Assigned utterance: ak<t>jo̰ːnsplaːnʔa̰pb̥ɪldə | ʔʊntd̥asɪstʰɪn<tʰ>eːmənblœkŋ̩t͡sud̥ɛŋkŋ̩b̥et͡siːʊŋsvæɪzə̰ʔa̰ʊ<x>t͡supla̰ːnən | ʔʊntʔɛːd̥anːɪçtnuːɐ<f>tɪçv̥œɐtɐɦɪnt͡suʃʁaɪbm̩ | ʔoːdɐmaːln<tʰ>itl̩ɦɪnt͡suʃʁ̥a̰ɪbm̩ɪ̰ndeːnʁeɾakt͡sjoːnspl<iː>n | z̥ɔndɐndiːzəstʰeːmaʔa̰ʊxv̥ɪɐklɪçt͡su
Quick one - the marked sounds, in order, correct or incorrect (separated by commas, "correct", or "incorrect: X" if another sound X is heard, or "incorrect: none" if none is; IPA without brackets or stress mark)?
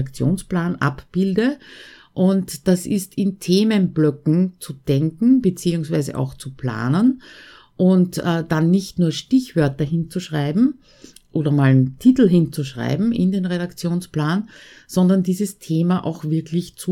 incorrect: t͡s, correct, correct, incorrect: ʃ, correct, incorrect: aː